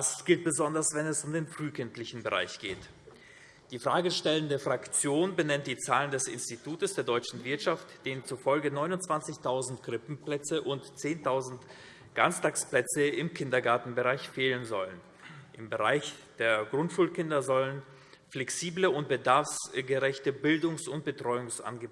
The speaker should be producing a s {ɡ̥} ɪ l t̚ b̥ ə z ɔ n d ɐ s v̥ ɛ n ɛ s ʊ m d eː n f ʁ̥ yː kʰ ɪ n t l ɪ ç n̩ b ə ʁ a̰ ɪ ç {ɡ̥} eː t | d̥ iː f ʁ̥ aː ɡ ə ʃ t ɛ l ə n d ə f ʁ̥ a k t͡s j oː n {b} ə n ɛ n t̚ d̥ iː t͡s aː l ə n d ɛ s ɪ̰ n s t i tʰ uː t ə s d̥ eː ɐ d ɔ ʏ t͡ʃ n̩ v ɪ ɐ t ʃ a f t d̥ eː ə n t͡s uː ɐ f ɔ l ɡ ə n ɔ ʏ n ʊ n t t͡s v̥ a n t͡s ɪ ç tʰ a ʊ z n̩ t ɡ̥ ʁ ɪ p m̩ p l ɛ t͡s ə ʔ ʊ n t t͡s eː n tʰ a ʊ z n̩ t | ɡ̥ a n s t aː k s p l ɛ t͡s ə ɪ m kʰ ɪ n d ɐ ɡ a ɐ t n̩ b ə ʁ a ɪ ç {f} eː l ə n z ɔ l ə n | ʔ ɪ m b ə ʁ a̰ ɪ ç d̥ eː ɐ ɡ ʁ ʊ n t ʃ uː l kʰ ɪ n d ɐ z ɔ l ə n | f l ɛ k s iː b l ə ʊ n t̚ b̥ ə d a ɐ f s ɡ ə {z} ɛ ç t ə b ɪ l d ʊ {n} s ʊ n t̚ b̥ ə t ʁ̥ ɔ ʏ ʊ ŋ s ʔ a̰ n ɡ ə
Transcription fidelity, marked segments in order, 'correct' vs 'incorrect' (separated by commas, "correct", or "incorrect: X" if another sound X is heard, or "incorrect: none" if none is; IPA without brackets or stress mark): correct, correct, correct, correct, incorrect: ʁ, incorrect: ŋ